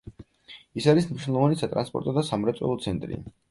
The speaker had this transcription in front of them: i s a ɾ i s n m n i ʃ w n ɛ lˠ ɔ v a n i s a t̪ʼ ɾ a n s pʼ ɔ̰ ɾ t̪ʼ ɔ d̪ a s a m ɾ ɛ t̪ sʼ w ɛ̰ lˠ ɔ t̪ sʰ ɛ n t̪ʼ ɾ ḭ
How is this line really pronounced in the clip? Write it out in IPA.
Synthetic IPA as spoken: i s a ɾ i s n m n i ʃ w n ɛ lˠ ɔ v a n i s a t̪ʼ ɾ a n s pʼ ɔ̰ ɾ t̪ʼ ɔ d̪ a s a m ɾ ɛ t̪ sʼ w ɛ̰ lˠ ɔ t̪ sʰ ɛ n t̪ʼ ɾ ḭ

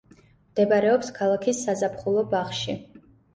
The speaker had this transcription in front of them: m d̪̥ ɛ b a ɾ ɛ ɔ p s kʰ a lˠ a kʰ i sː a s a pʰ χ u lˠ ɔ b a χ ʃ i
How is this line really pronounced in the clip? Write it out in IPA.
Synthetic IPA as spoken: m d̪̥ ɛ b a ɾ ɛ ɔ p s kʰ a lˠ a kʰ i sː a z a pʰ χ u lˠ ɔ b a χ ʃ i

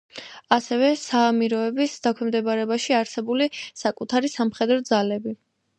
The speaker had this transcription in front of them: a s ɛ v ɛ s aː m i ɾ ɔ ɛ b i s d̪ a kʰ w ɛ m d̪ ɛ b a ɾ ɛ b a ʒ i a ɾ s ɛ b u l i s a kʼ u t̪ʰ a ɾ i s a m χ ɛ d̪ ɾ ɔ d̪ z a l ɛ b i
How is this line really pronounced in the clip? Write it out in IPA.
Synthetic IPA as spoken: a s ɛ v ɛ s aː m i ɾ ɔ ɛ b i s d̪ a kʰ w ɛ m d̪ ɛ b a ɾ ɛ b a ʃ i a ɾ s ɛ b u l i s a kʼ u t̪ʰ a ɾ i s a m χ ɛ d̪ ɾ ɔ d̪ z a l ɛ b i

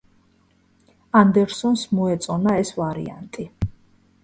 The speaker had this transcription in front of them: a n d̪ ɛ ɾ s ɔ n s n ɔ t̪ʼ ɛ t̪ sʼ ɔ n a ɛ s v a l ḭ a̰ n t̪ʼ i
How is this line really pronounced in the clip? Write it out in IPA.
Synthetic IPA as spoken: a n d̪ ɛ ɾ s ɔ n s m ɔ ɛ t̪ sʼ ɔ n a ɛ s v a ɾ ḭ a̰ n t̪ʼ i

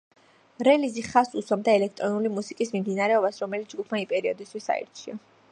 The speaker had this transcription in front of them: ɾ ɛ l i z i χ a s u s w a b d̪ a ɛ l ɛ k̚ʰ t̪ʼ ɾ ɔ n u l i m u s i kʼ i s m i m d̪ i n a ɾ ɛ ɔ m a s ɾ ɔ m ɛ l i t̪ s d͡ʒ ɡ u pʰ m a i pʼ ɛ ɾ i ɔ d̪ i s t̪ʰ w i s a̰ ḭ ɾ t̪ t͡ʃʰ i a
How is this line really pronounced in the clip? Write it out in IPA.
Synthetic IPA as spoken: ɾ ɛ l i z i χ a s u s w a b d̪ a ɛ l ɛ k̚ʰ t̪ʼ ɾ ɔ n u l i m u s i kʼ i s m i m d̪ i n a ɾ ɛ ɔ b a s ɾ ɔ m ɛ l i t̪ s d͡ʒ ɡ u pʰ m a i pʼ ɛ ɾ i ɔ d̪ i s t̪ʰ w i s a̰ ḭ ɾ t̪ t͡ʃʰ i a

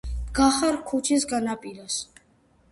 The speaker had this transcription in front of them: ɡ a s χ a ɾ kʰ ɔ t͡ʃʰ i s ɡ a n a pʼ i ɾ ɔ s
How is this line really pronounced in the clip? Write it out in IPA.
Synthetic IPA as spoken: ɡ a χ a ɾ kʰ u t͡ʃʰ i s ɡ a n a pʼ i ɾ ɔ s

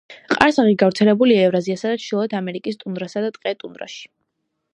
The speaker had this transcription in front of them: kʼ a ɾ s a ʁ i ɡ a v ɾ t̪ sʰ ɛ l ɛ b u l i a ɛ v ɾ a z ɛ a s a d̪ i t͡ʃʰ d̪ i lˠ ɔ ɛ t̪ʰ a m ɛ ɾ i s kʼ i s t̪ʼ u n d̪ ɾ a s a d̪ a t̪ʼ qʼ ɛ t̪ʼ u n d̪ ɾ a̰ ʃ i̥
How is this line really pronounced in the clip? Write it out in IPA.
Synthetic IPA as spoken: qʼ a ɾ s a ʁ i ɡ a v ɾ t̪ sʰ ɛ l ɛ b u l i a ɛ v ɾ a z i a s a d̪ a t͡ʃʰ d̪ i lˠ ɔ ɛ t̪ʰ a m ɛ ɾ i kʼ i s t̪ʼ u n d̪ ɾ a s a d̪ a t̪ʼ qʼ ɛ t̪ʼ u n d̪ ɾ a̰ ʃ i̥

